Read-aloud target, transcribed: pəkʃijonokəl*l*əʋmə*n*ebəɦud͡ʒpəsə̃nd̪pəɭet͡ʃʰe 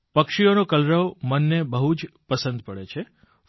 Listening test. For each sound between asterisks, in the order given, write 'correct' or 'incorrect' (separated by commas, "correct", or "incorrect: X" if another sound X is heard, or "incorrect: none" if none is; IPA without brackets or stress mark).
incorrect: ɾ, incorrect: nː